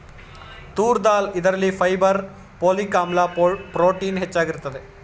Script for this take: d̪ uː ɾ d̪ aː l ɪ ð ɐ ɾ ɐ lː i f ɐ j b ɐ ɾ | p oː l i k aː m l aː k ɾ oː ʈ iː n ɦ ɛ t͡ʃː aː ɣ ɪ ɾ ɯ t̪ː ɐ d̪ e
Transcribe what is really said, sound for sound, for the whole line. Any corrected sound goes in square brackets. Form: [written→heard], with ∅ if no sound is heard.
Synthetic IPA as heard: [d̪→t̪] uː ɾ d̪ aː l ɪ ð ɐ ɾ ɐ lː i f ɐ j b ɐ ɾ | p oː l i k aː m l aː [k→p] ɾ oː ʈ iː n ɦ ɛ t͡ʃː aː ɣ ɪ ɾ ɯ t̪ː ɐ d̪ e